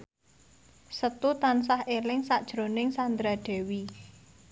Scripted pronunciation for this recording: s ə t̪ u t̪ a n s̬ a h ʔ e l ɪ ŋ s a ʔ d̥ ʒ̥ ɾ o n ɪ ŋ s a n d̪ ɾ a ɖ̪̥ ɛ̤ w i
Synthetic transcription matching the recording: s ə t̪ u t̪ a n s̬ a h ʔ e l ɪ ŋ s a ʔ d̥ ʒ̥ ɾ o n ɪ ŋ s a n d̪ ɾ a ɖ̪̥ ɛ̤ w i